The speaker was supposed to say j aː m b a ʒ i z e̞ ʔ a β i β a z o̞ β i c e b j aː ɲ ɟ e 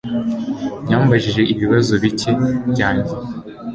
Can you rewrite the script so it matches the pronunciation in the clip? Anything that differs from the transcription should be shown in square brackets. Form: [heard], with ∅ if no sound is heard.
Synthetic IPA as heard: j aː m b a ʒ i [ʒ] e̞ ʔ [i] β i β a z o̞ β i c e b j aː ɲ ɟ e